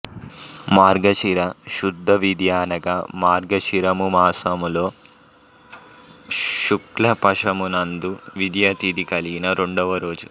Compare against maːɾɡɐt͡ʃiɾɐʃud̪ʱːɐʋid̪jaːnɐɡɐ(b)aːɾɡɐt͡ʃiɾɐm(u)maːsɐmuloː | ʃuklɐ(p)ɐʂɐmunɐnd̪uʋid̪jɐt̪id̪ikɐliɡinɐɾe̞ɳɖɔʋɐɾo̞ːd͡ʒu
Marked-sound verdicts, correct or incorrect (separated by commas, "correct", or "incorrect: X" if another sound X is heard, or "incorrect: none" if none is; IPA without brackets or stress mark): incorrect: m, correct, correct